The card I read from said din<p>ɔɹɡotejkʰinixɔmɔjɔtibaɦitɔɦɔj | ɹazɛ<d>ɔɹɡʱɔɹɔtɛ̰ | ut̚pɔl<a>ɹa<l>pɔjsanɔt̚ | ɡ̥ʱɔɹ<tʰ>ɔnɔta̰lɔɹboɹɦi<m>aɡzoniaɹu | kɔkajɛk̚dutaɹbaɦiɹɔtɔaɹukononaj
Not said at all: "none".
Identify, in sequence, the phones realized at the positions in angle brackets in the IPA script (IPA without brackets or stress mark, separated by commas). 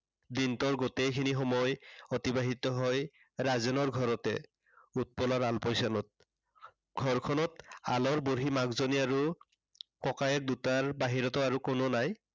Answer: t, n, a, l, kʰ, m